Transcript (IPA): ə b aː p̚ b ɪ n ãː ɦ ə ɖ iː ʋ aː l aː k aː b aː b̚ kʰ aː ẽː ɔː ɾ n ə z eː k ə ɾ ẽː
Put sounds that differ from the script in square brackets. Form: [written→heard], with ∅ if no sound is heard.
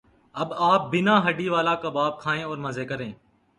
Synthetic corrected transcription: ə b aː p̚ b ɪ n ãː ɦ ə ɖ iː ʋ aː l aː k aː b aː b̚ kʰ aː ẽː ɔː ɾ [n→m] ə z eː k ə ɾ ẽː